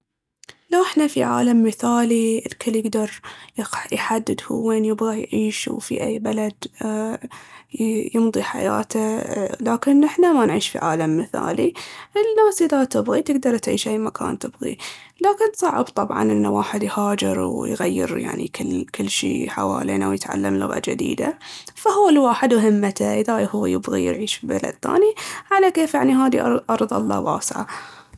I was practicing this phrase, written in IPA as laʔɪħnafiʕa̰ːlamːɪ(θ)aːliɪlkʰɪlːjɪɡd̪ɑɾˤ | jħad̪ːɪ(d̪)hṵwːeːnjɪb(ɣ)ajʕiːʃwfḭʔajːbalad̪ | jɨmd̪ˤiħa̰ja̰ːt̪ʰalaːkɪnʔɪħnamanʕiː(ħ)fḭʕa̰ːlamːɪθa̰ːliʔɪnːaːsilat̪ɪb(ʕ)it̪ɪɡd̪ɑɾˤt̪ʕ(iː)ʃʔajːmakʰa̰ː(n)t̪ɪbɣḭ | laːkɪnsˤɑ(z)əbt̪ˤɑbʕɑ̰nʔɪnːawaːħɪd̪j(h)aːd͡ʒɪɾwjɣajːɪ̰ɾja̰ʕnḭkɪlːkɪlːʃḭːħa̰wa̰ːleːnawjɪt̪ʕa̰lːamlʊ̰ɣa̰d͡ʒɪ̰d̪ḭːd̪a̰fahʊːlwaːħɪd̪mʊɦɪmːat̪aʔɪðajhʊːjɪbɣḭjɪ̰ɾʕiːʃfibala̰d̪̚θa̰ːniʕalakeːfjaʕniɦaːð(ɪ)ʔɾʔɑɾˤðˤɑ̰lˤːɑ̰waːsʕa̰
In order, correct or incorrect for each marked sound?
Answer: correct, correct, correct, incorrect, incorrect, correct, correct, incorrect, correct, incorrect

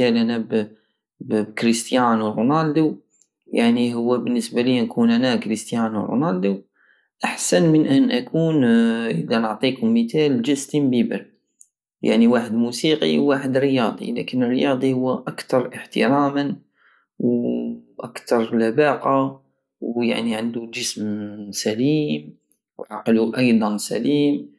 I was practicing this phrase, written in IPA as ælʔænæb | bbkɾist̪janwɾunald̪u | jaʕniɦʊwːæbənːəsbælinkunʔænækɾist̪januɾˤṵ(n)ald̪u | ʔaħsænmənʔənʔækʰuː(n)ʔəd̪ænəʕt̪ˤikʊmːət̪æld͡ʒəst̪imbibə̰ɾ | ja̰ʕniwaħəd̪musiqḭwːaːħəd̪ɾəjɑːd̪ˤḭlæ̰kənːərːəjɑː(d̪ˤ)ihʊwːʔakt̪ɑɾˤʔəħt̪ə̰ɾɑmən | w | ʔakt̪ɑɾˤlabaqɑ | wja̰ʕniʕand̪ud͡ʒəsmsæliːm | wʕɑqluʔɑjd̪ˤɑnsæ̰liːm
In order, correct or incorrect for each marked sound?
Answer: correct, correct, correct

